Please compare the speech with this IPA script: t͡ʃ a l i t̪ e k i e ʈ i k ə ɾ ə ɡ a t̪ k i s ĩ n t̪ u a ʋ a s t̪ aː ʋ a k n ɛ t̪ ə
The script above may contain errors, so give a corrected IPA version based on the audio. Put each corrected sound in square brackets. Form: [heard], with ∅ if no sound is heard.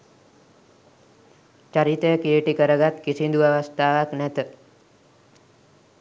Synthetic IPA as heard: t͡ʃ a [ɾ] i t̪ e k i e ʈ i k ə ɾ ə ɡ a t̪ k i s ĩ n [d̪] u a ʋ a s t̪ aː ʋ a k n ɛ t̪ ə